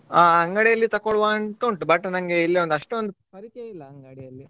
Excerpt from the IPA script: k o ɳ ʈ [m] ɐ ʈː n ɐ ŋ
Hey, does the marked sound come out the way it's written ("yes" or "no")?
no